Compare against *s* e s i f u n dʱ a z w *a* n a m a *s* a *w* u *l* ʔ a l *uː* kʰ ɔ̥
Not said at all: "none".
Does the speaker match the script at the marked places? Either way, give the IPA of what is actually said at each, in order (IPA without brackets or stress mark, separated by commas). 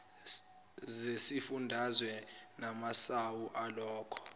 z, ɛ, s, w, none, ɔː